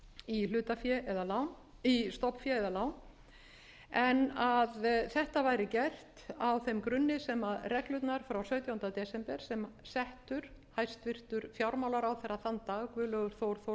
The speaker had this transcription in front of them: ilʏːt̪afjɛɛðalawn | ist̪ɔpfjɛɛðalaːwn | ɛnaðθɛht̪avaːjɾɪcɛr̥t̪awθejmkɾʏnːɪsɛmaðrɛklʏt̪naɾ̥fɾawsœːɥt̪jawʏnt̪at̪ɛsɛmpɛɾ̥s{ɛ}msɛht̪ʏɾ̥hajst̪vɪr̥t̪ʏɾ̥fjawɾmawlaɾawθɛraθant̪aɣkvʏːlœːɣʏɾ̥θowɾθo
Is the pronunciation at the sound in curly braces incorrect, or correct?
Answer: correct